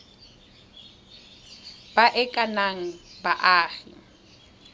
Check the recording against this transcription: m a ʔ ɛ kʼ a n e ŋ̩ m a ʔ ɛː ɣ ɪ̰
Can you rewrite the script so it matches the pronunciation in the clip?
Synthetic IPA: b a ʔ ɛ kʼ a n a ŋ̩ b a ʔ aː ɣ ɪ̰